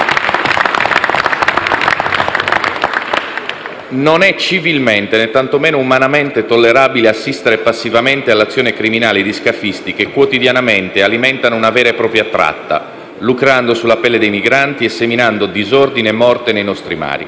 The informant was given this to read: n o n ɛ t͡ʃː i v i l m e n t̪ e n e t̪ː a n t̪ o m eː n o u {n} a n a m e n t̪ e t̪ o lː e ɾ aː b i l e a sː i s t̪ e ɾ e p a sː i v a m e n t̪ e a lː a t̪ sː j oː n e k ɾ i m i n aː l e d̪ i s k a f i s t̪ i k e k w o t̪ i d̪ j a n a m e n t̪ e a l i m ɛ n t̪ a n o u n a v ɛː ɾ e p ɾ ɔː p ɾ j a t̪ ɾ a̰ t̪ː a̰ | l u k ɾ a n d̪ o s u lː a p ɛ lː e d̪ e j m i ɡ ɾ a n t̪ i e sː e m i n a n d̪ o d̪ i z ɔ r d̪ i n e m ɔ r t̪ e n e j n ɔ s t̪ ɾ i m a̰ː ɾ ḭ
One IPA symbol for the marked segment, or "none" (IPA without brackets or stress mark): m